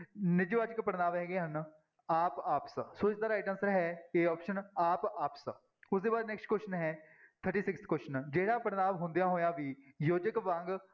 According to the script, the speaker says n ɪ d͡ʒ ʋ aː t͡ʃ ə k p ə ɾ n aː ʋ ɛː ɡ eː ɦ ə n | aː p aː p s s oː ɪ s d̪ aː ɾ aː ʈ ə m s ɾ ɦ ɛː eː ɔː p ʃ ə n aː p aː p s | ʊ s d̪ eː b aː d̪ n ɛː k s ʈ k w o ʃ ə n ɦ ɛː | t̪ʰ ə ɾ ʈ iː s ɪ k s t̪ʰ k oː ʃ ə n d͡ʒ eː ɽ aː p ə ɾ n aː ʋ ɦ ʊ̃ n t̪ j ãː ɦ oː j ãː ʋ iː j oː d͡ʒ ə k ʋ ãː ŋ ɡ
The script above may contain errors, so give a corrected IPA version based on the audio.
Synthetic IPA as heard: n ɪ d͡ʒ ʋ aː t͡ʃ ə k p ə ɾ n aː ʋ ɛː ɡ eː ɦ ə n | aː p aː p s s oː ɪ s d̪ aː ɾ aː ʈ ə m s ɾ ɦ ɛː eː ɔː p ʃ ə n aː p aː p s | ʊ s d̪ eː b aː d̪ n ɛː k s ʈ k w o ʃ ə n ɦ ɛː | t̪ʰ ə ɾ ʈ iː s ɪ k s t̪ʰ k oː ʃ ə n d͡ʒ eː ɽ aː p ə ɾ n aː ʋ ɦ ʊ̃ n d̪ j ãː ɦ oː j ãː ʋ iː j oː d͡ʒ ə k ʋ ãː ŋ ɡ